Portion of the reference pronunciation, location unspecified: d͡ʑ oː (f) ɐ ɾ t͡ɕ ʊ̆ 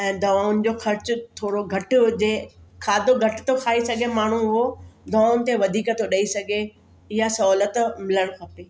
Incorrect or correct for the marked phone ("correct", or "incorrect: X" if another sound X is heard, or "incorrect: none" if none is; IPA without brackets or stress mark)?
incorrect: x